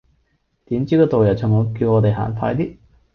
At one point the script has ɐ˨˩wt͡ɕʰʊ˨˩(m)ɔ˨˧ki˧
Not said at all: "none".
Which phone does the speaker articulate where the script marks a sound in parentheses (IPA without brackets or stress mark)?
ŋ